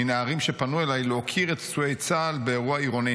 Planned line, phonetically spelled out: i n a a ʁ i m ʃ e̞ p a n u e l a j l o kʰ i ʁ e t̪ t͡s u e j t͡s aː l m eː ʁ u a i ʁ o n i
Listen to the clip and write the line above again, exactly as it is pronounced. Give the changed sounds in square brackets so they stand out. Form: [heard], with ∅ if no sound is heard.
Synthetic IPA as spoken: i n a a ʁ i m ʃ e̞ p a n u e l a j l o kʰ i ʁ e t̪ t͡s u e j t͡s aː l [b] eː ʁ u a i ʁ o n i